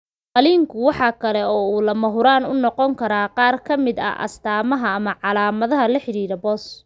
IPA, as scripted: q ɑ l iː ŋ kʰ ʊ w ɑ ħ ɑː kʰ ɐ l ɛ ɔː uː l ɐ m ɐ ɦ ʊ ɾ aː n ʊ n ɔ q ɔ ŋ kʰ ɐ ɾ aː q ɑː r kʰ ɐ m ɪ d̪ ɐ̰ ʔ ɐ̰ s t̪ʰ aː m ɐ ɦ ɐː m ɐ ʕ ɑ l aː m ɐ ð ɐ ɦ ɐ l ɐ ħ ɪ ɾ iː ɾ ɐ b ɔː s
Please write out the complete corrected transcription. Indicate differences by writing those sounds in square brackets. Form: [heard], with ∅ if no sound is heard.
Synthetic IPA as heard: q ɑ l iː ŋ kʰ ʊ w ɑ ħ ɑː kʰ ɐ l ɛ ɔː uː l ɐ m ɐ ɦ ʊ ɾ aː n ʊ n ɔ q ɔ ŋ kʰ ɐ ɾ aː q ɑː r kʰ ɐ m ɪ d̪ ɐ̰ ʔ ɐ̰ s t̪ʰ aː m ɐ ɦ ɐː m ɐ ʕ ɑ l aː m ɐ ð ɐ ɦ ɐ l ɐ ħ ɪ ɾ iː ɾ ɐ b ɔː s